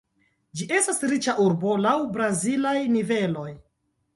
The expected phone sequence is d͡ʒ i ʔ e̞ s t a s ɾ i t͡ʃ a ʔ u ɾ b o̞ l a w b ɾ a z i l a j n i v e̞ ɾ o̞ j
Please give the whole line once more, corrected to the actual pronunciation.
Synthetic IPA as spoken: d͡ʒ i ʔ e̞ s t a s ɾ i t͡ʃ a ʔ u ɾ b o̞ l a w b ɾ a z i l a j n i v e̞ l o̞ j